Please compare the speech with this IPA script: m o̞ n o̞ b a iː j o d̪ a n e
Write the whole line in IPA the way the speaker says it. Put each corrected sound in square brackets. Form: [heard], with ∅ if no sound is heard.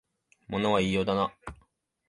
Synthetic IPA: m o̞ n o̞ [β] a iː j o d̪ a n [a]